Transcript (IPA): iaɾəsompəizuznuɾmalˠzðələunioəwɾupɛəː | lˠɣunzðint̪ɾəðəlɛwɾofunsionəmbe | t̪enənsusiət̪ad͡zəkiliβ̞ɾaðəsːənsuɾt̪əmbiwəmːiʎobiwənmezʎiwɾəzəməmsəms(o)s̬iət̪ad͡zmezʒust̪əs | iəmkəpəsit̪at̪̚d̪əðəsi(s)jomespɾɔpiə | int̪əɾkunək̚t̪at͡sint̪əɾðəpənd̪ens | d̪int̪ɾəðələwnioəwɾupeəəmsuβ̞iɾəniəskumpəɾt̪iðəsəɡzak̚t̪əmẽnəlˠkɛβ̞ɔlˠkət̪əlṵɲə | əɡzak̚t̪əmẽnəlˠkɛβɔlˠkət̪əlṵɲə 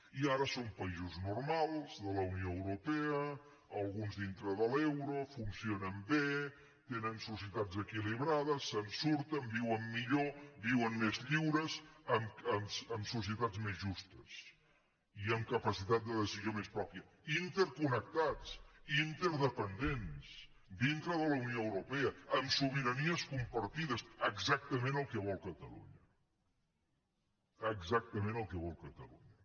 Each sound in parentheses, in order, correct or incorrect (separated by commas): incorrect, incorrect